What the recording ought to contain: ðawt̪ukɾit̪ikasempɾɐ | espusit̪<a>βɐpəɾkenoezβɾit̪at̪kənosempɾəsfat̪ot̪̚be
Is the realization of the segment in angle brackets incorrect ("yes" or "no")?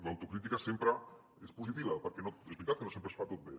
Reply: yes